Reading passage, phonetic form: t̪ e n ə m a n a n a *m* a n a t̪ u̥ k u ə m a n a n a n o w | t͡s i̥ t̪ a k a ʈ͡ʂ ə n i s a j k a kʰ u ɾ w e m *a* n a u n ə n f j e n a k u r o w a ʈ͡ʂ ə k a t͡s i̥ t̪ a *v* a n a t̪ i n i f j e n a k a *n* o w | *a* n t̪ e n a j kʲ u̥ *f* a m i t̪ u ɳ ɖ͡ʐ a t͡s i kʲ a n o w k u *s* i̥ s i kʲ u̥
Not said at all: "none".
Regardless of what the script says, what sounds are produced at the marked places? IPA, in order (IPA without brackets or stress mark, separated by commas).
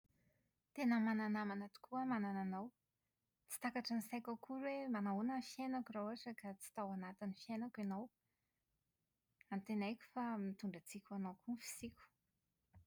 m, a, w, n, a, f, f